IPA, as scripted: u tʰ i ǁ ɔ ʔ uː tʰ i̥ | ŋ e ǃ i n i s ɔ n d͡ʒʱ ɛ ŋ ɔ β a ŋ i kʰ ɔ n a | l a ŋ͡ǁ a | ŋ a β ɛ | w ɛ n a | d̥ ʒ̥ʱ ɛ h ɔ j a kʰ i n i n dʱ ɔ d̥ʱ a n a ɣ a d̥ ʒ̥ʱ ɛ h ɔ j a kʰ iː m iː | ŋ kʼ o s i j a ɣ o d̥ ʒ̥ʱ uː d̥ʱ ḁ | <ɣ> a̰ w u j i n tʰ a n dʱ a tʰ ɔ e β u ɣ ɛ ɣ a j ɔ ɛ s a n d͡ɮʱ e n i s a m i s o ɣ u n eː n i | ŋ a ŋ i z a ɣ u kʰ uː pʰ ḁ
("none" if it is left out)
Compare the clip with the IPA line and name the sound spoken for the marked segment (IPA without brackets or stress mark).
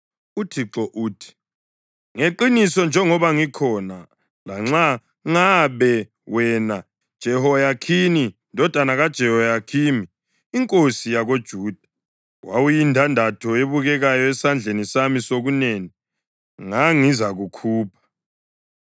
w